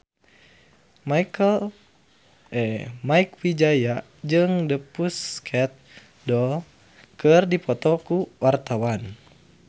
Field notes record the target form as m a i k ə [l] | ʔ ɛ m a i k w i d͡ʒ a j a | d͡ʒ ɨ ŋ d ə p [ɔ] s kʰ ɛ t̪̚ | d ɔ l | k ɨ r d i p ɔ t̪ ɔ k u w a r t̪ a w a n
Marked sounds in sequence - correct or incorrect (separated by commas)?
correct, incorrect